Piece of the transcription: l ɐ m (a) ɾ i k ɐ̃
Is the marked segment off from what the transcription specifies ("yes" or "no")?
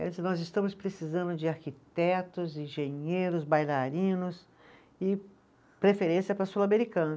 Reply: yes